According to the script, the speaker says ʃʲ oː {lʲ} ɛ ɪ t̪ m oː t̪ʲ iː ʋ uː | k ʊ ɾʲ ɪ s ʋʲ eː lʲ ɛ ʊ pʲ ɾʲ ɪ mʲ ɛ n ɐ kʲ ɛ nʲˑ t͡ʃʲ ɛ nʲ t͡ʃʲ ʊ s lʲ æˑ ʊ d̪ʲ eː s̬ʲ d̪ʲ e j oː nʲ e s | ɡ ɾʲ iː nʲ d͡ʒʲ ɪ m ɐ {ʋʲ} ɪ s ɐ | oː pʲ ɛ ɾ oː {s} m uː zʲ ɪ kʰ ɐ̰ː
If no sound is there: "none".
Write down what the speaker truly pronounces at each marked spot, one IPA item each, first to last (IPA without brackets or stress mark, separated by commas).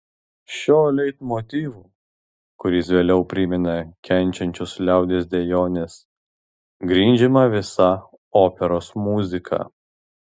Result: lʲ, ʋʲ, s